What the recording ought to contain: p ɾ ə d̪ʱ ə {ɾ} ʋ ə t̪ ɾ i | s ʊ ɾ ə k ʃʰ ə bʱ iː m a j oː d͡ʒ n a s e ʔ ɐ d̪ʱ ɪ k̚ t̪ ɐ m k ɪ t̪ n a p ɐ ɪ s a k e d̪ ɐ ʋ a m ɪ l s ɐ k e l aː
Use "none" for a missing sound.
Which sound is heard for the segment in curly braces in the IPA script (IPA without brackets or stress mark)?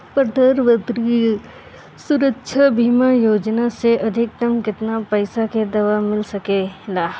ɾ